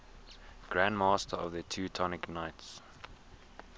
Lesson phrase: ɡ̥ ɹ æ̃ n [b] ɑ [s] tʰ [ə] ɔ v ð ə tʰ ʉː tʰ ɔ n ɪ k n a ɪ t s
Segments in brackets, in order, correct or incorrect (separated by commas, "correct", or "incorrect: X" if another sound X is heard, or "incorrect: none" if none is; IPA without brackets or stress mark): incorrect: m, correct, correct